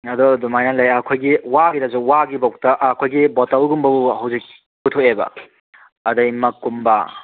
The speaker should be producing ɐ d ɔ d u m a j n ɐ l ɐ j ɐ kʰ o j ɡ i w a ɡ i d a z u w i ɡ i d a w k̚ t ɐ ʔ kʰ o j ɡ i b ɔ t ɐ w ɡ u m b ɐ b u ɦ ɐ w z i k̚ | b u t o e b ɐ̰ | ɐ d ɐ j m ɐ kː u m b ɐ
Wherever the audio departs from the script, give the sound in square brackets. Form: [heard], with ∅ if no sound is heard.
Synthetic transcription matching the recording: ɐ d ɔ d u m a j n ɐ l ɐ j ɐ kʰ o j ɡ i w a ɡ i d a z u w [a] ɡ i [b] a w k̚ t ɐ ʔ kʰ o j ɡ i b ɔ t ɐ w ɡ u m b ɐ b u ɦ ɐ w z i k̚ | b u [tʰ] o e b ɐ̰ | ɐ d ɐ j m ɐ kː u m b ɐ